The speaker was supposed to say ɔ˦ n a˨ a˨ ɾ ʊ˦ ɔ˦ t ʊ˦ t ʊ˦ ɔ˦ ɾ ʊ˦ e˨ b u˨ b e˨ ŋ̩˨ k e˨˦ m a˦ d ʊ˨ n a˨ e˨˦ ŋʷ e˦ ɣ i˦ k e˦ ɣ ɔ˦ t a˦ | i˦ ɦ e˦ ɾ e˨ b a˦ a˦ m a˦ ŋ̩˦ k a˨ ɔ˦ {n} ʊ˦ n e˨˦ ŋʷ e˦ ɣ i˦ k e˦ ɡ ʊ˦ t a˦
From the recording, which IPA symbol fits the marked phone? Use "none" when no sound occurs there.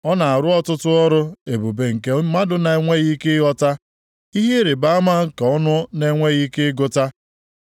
n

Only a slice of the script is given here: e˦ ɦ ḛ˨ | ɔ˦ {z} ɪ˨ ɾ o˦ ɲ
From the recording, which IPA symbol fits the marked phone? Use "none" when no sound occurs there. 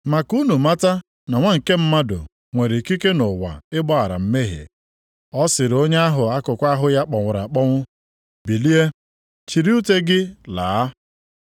s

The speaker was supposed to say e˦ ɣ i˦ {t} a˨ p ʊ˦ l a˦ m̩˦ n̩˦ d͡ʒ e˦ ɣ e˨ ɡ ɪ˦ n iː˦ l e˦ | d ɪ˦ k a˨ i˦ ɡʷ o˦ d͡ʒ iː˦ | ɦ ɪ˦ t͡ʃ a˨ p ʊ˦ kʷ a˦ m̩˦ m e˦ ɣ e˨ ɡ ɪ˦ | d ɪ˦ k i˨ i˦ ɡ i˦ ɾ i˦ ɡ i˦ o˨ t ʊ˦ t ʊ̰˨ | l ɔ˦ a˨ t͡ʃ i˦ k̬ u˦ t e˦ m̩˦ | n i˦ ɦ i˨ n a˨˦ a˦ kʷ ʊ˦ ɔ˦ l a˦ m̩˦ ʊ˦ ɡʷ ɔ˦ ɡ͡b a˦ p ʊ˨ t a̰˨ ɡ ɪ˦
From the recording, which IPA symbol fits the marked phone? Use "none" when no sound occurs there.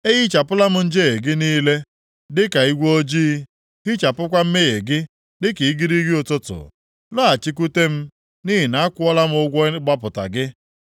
t͡ʃ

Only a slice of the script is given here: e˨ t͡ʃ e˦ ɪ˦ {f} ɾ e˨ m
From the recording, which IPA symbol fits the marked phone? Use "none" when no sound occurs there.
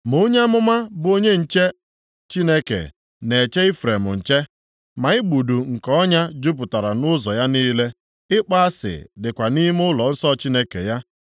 f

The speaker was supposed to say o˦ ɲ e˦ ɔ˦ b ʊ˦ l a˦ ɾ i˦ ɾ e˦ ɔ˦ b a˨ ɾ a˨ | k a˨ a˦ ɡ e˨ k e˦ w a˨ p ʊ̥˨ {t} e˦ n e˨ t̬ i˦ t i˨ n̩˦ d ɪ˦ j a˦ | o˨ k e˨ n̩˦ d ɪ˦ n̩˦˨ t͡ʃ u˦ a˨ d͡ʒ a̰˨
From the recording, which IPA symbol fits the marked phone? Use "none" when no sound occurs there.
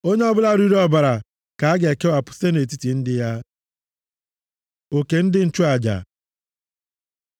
s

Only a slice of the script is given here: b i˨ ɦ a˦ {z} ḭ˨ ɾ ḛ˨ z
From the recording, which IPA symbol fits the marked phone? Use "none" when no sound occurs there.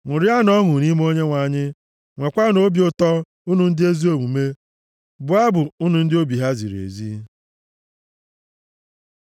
z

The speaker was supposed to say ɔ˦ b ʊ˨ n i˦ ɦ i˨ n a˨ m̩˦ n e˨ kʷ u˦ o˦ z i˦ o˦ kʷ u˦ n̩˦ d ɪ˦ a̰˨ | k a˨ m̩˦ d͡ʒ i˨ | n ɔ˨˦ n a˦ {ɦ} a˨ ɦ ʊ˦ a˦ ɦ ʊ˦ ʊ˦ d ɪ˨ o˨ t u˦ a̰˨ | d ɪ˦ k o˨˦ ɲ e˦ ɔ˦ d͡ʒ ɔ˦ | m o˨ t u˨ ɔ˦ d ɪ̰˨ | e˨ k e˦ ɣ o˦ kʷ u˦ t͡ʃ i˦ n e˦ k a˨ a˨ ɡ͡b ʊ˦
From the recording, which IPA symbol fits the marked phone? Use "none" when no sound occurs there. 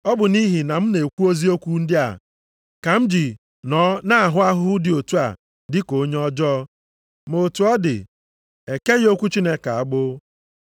none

